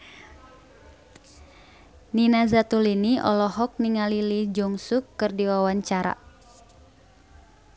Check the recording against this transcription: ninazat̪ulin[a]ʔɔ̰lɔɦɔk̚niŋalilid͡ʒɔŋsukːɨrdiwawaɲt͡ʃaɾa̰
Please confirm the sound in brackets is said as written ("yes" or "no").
no